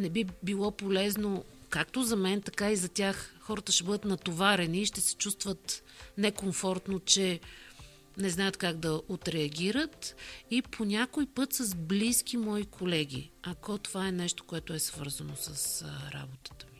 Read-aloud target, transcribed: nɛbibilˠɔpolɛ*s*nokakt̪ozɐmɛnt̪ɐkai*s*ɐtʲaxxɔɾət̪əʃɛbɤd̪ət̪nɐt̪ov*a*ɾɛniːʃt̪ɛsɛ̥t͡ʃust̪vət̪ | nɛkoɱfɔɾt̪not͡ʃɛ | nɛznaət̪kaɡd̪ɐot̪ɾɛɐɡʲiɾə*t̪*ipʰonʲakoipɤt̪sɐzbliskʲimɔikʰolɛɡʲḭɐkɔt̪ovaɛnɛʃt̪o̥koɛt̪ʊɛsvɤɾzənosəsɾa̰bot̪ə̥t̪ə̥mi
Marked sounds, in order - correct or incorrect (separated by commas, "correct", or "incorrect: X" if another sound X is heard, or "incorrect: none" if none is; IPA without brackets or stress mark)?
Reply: incorrect: z, incorrect: z, correct, correct